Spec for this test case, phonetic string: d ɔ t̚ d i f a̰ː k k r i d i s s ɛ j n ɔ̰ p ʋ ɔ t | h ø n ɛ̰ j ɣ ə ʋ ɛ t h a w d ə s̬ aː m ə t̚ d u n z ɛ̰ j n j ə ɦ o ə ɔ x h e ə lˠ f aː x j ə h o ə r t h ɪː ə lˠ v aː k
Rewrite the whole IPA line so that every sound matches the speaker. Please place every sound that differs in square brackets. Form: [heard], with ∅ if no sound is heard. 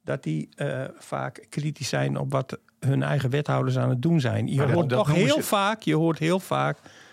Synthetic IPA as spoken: d ɔ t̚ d i f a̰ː k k r i [t] i s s ɛ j n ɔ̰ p ʋ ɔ t | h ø n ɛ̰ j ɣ ə ʋ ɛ t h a w d ə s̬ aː [n] ə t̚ d u n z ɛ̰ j n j ə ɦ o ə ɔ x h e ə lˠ f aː [k] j ə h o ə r t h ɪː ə lˠ [f] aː k